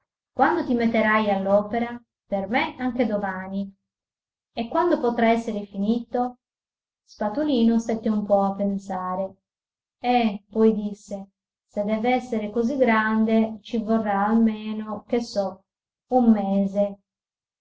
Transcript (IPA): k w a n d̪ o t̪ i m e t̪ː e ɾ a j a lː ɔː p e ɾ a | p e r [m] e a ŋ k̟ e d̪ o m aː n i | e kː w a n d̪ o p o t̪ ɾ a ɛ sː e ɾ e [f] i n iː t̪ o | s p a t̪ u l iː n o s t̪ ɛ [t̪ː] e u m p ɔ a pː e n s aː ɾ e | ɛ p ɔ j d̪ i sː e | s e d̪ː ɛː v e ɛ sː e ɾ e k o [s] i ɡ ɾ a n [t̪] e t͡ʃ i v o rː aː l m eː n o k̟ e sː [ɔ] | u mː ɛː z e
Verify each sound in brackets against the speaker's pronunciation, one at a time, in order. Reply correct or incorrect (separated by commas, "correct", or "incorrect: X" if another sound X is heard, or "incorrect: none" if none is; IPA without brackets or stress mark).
correct, correct, correct, incorrect: z, incorrect: d̪, correct